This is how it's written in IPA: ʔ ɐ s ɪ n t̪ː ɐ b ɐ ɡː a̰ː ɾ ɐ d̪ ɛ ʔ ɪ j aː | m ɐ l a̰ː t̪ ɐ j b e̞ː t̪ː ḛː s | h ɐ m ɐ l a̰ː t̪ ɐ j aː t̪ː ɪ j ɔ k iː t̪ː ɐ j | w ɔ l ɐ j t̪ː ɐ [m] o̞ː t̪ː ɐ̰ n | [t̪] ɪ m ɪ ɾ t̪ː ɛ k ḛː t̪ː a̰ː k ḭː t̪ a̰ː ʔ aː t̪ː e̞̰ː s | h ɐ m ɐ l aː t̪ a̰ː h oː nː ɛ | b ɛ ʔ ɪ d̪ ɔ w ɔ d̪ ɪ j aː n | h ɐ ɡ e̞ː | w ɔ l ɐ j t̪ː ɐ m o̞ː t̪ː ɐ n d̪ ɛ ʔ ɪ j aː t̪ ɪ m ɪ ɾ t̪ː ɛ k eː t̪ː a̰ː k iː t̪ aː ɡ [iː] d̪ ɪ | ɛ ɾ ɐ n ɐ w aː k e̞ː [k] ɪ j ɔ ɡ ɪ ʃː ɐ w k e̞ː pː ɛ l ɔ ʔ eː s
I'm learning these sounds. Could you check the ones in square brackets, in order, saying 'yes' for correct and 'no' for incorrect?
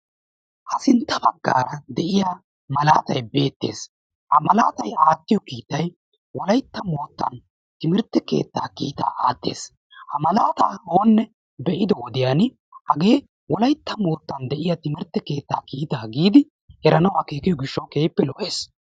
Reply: yes, yes, yes, yes

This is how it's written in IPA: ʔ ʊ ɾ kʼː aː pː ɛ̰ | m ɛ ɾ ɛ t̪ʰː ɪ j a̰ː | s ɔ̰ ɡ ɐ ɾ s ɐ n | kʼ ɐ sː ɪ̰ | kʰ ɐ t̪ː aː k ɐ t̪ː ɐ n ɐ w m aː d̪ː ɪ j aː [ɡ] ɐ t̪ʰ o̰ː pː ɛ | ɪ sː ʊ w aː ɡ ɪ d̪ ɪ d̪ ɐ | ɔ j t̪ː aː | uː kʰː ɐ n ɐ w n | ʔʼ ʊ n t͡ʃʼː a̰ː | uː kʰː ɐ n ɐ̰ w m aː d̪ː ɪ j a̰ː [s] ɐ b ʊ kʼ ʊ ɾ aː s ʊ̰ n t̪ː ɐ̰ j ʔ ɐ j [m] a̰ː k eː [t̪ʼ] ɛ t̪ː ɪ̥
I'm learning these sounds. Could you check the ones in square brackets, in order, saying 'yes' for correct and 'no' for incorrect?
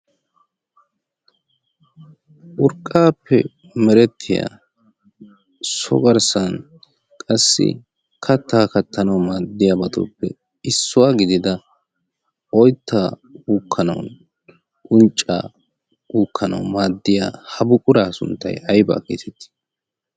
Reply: no, no, no, no

